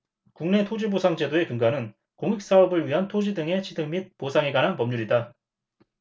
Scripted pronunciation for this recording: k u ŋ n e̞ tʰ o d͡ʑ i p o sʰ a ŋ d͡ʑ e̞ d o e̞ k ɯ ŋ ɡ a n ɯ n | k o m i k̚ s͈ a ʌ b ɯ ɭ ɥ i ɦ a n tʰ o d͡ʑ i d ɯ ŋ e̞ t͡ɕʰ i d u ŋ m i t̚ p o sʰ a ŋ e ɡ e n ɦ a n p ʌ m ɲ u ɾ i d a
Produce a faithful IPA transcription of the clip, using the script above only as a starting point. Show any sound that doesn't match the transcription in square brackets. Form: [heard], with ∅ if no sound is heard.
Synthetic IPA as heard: k u ŋ n e̞ tʰ o d͡ʑ i [b] o sʰ a ŋ d͡ʑ e̞ d o e̞ k ɯ ŋ ɡ a n ɯ n | k o [ŋ] i k̚ s͈ a ʌ b ɯ ɭ ɥ i ɦ a n tʰ o d͡ʑ i d ɯ ŋ e̞ t͡ɕʰ i d [ɯ] ŋ m i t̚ p o sʰ a ŋ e ɡ [a] n ɦ a n p ʌ m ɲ u ɾ i d a